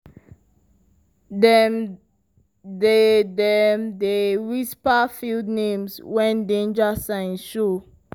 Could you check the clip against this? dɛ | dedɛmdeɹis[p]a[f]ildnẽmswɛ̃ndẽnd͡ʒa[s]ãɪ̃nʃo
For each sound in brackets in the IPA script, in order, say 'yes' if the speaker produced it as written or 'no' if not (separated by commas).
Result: yes, yes, yes